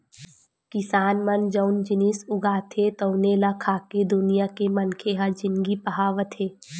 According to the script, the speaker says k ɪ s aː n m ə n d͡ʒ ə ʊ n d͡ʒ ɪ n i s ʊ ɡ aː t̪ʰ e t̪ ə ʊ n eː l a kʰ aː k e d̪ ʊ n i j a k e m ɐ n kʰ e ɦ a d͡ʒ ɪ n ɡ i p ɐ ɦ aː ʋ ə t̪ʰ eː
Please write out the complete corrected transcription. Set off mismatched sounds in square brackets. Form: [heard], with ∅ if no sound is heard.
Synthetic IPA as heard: k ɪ s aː n m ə n d͡ʒ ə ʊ n d͡ʒ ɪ n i s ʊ ɡ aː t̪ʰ e t̪ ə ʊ n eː l a kʰ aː k e d̪ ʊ n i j a k e m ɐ n kʰ e ɦ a d͡ʒ ɪ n ɡ i p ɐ ɦ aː ʋ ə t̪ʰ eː

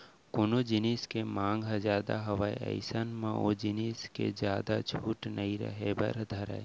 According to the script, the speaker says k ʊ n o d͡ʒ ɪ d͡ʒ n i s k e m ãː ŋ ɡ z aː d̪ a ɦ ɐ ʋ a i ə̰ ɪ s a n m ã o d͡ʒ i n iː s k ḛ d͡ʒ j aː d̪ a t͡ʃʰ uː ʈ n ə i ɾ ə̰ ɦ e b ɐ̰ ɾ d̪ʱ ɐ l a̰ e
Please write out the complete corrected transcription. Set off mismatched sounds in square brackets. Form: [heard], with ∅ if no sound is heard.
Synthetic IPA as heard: k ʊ n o d͡ʒ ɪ [∅] n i s k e m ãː ŋ ɡ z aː d̪ a ɦ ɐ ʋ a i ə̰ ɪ s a n m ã o d͡ʒ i n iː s k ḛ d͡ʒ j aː d̪ a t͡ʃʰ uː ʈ n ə i ɾ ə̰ ɦ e b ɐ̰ ɾ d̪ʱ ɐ [ɾ] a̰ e

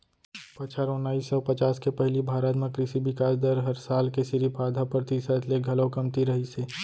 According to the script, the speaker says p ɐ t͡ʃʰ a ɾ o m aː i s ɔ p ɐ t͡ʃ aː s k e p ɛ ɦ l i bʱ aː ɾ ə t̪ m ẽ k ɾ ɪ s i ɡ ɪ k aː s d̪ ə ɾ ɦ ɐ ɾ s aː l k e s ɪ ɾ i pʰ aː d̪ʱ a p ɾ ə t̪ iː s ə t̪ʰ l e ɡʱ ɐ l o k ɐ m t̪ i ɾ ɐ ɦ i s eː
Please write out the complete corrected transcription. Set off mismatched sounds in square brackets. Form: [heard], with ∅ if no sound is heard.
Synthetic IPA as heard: p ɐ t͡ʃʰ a ɾ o [n] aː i s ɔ p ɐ t͡ʃ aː s k e p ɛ ɦ l i bʱ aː ɾ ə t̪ m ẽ k ɾ ɪ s i [b] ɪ k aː s d̪ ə ɾ ɦ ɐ ɾ s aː l k e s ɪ ɾ i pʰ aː d̪ʱ a p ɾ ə t̪ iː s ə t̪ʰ l e ɡʱ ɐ l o k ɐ m t̪ i ɾ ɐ ɦ i s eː

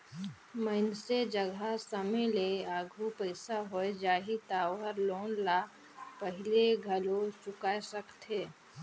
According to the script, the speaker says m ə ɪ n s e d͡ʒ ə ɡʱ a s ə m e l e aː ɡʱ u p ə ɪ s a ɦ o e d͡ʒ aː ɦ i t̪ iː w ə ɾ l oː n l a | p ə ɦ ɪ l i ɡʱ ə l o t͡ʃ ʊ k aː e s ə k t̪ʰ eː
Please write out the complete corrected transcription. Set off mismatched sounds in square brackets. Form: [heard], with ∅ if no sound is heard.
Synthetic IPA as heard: m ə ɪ n s e d͡ʒ ə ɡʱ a s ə m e l e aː ɡʱ u p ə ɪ s a ɦ o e d͡ʒ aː ɦ i t̪ [aː] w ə ɾ l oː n l a | p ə ɦ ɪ l [e] ɡʱ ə l o t͡ʃ ʊ k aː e s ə k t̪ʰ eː

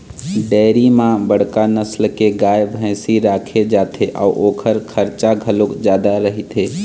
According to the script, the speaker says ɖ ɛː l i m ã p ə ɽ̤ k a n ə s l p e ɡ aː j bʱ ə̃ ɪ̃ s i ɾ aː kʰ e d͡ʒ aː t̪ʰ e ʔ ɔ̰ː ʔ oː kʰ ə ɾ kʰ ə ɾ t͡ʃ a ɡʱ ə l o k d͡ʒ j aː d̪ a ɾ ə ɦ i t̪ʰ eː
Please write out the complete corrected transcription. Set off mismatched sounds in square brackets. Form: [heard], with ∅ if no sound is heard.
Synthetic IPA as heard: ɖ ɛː [ɾ] i m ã [b] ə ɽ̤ k a n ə s l [k] e ɡ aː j bʱ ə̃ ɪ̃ s i ɾ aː kʰ e d͡ʒ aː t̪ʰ e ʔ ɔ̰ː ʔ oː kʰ ə ɾ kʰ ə ɾ t͡ʃ a ɡʱ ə l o k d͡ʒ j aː d̪ a ɾ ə ɦ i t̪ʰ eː

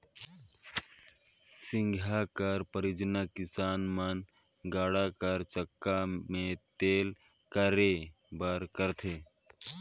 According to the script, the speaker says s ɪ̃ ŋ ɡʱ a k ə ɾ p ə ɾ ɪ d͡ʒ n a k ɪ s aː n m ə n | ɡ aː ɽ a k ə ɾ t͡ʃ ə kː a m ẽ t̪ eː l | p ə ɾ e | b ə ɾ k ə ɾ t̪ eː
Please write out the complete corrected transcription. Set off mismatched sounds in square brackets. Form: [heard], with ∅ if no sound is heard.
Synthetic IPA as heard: s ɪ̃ ŋ ɡʱ a k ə ɾ p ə ɾ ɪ d͡ʒ n a k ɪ s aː n m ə n | ɡ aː ɽ a k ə ɾ t͡ʃ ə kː a m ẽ t̪ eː l | [k] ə ɾ e | b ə ɾ k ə ɾ [t̪ʰ] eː

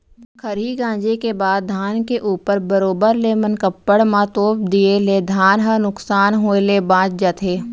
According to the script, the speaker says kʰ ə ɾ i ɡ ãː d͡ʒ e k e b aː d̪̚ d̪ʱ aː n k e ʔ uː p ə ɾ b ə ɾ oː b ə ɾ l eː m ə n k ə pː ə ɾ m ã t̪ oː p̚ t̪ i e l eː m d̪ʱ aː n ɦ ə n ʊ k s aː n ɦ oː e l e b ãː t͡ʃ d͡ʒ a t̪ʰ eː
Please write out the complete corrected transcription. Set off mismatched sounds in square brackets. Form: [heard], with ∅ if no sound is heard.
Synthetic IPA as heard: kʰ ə ɾ i ɡ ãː d͡ʒ e k e b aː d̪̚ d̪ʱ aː n k e ʔ uː p ə ɾ b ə ɾ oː b ə ɾ l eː m ə n k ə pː ə [ɽ] m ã t̪ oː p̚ [d̪] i e l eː [∅] d̪ʱ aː n ɦ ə n ʊ k s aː n ɦ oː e l e b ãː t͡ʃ d͡ʒ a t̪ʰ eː

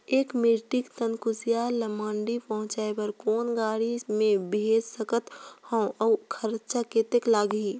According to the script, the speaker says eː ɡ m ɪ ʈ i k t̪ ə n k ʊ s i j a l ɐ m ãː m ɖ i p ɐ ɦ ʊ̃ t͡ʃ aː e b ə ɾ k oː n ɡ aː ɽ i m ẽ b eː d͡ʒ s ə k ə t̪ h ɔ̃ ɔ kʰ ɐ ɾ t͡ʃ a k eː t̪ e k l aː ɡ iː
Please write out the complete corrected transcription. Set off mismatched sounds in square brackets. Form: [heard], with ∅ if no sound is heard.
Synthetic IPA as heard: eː [k] m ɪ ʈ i k t̪ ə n k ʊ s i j a l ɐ m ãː [ɳ] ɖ i p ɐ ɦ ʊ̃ t͡ʃ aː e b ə ɾ k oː n ɡ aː ɽ i m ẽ b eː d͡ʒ s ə k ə t̪ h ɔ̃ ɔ kʰ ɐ ɾ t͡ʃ a k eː t̪ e k l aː ɡ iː

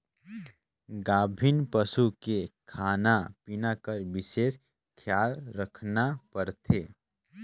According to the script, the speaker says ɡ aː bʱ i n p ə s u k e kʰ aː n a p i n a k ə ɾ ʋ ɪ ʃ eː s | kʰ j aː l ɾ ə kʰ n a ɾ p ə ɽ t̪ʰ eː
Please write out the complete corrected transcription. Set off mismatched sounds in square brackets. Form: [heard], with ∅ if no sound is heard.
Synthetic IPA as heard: ɡ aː bʱ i n p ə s u k e kʰ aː n a p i n a k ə ɾ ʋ ɪ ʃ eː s | kʰ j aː l ɾ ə kʰ n a [∅] p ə [ɾ] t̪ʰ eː

